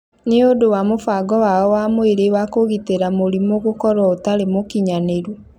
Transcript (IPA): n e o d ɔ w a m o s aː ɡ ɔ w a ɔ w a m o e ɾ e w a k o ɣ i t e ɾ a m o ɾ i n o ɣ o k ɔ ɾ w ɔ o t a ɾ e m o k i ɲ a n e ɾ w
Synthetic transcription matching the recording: n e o d o w a m o f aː ɡ ɔ w a ɔ w a m o e ɾ e w a k o ɣ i t e ɾ a m o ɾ i m o ɣ o k ɔ ɾ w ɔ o t a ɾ e m o k i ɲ a n e ɾ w